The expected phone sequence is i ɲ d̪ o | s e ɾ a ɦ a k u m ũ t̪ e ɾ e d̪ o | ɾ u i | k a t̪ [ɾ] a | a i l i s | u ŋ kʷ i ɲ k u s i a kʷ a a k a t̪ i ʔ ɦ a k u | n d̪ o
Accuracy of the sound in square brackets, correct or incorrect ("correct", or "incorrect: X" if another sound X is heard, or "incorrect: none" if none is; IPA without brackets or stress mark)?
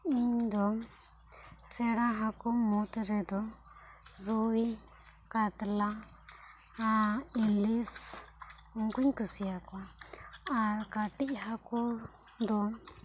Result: incorrect: l